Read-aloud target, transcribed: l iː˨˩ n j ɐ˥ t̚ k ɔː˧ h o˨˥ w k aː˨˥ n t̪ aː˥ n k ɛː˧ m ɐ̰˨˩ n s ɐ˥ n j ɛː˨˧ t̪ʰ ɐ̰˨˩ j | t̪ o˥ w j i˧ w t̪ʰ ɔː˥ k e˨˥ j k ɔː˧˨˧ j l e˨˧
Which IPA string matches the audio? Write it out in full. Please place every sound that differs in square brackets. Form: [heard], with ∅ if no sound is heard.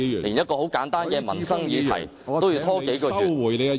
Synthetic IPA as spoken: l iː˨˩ n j ɐ˥ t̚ k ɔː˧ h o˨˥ w k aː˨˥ n t̪ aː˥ n k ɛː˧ m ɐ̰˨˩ n s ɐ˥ [ŋ] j [iː˨˧] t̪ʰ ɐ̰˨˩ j | t̪ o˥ w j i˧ w t̪ʰ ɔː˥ k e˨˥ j k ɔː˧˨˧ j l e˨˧